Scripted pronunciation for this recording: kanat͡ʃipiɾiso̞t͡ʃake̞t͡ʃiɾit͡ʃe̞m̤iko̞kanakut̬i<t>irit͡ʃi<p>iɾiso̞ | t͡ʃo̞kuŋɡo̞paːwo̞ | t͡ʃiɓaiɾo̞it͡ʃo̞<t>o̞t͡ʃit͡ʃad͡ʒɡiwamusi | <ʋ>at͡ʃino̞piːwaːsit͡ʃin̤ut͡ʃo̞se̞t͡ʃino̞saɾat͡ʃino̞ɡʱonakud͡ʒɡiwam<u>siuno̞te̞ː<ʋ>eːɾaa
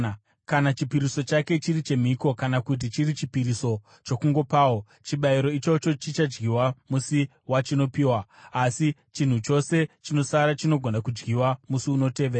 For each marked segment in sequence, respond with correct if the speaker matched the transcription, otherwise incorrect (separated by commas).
incorrect, correct, incorrect, incorrect, correct, correct